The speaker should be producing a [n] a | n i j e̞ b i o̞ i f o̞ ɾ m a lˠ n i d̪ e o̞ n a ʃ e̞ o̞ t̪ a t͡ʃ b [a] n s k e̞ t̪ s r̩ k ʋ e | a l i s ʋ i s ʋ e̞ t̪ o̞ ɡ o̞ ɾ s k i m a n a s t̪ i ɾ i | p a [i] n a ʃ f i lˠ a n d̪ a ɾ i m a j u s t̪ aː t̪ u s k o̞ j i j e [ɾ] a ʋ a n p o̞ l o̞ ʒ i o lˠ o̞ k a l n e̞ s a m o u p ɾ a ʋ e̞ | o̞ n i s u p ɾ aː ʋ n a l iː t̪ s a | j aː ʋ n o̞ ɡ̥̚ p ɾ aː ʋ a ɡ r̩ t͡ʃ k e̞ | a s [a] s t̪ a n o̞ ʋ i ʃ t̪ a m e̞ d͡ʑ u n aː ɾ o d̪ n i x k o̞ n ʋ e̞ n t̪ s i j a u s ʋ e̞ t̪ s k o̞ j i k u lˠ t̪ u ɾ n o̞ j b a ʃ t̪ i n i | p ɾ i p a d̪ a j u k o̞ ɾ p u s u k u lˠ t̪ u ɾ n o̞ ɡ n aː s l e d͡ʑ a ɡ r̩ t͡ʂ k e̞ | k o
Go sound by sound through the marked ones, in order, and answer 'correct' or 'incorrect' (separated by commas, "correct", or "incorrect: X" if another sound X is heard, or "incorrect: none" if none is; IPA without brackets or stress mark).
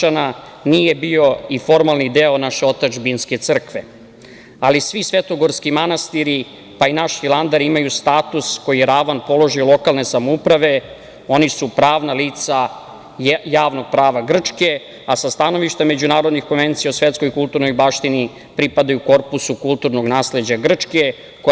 correct, incorrect: i, correct, correct, correct